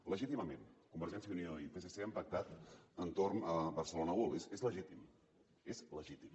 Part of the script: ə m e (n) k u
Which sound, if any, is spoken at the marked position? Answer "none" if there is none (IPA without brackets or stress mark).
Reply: n